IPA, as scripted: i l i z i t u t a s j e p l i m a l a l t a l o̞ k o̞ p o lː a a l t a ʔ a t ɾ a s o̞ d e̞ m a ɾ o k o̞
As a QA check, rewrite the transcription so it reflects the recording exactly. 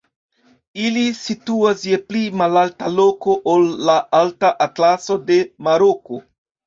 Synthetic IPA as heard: i l i s i t u a s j e p l i m a l a l t a l o̞ k o̞ ʔ o lː a a l t a ʔ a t l a s o̞ d e̞ m a ɾ o k o̞